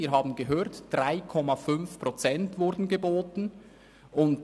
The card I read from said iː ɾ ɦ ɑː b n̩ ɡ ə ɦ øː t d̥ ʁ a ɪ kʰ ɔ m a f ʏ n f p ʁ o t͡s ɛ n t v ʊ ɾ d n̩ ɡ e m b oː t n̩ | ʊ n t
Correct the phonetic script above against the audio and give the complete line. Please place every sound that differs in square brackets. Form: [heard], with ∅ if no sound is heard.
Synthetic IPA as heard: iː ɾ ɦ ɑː b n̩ ɡ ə ɦ øː t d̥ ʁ a ɪ kʰ ɔ m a f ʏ n f p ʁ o t͡s ɛ n t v ʊ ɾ d n̩ ɡ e [∅] b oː t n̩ | ʊ n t